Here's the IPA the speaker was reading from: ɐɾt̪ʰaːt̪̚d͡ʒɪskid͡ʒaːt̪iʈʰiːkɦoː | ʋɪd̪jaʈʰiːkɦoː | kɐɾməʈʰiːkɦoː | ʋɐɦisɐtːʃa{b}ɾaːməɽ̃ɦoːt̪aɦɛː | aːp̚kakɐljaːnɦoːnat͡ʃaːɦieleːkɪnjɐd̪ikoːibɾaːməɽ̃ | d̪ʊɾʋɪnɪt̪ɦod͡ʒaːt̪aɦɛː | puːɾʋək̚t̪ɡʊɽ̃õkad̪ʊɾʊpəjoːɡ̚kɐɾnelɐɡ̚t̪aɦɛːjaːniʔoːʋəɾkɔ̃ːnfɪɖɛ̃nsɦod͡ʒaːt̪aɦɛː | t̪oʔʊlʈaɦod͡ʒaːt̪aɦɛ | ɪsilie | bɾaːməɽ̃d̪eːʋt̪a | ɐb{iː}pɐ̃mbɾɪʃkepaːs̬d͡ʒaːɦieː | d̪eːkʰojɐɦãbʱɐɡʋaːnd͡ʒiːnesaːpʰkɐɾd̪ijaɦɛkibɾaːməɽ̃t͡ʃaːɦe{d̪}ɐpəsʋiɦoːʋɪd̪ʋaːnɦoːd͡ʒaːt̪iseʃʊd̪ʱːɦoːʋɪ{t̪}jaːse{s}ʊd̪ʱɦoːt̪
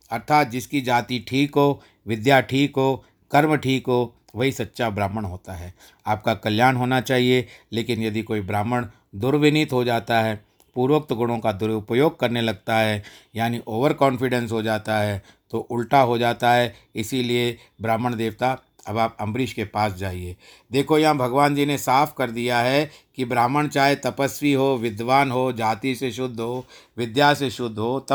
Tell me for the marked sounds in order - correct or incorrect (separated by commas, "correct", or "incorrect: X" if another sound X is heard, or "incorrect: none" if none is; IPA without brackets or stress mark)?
correct, incorrect: aː, incorrect: t̪, incorrect: d̪, incorrect: ʃ